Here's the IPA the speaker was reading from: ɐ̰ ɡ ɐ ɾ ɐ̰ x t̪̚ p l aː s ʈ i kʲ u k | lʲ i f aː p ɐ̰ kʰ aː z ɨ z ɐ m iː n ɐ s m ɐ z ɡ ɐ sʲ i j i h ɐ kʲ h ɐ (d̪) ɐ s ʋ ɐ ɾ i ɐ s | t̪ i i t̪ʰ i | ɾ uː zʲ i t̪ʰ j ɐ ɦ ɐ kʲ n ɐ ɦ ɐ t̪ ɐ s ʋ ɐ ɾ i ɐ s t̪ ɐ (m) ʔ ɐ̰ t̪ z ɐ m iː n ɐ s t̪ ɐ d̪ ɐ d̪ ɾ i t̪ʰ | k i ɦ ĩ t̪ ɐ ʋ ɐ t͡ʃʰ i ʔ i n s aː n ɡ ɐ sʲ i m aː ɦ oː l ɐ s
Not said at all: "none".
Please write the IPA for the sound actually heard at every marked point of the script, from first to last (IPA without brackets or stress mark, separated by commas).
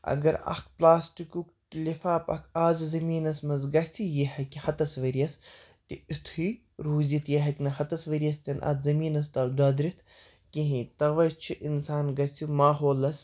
t̪, n